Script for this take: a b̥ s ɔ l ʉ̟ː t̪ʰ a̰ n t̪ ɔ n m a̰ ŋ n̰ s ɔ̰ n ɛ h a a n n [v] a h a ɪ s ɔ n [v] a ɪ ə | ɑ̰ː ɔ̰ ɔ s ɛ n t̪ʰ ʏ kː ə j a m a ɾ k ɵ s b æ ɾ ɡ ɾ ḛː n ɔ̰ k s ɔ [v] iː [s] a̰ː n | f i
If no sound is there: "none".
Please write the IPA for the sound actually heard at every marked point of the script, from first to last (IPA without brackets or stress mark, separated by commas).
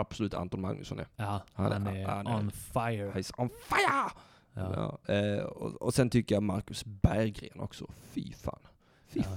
f, f, f, f